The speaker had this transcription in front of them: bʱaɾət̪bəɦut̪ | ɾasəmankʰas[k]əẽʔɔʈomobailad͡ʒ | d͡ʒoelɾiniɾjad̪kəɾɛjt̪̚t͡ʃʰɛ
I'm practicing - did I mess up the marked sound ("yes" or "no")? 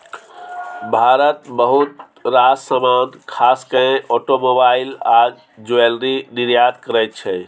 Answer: no